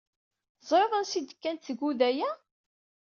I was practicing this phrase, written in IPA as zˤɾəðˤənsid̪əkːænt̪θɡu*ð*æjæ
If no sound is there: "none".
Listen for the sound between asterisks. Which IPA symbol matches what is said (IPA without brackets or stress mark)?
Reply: ð